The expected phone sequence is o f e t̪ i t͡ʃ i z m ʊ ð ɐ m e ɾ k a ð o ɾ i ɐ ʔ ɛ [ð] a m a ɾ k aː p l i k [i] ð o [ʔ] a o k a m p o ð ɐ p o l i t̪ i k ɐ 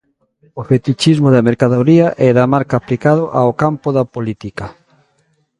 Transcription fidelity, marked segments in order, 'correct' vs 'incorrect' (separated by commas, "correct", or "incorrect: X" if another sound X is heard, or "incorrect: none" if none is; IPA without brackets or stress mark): correct, incorrect: a, correct